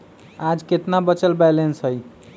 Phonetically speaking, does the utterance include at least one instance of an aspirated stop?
no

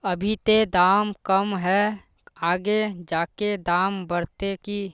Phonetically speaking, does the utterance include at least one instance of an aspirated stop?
no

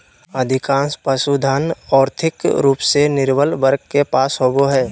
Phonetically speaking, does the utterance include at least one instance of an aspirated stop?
yes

